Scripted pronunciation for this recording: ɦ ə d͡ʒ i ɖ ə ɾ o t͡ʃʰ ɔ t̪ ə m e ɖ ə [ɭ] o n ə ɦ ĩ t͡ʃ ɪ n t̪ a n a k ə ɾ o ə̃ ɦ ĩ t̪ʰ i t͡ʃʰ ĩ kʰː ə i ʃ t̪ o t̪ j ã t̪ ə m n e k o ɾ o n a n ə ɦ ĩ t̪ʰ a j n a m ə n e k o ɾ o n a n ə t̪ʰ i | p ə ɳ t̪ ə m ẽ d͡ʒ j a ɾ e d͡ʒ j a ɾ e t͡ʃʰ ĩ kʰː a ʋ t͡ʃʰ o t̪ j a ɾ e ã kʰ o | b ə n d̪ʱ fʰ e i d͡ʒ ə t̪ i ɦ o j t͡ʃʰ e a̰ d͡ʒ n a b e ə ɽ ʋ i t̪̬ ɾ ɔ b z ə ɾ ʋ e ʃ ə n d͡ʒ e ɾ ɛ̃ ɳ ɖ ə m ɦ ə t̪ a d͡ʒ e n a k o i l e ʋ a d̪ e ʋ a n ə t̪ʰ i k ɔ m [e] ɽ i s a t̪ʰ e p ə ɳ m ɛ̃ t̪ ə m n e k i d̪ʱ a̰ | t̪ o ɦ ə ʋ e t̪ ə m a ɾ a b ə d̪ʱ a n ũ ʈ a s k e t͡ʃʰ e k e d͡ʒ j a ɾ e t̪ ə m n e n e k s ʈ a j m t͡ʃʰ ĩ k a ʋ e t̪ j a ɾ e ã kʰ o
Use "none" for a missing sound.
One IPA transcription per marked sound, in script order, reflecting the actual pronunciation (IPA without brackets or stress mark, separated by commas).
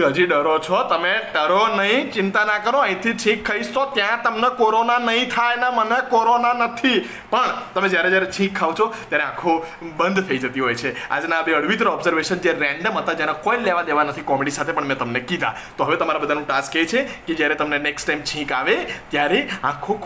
ɾ, e